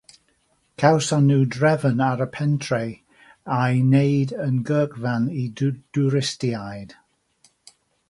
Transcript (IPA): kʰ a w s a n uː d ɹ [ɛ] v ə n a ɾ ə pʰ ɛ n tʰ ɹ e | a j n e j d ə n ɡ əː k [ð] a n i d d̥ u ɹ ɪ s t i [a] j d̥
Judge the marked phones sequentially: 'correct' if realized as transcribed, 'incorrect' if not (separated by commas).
correct, incorrect, correct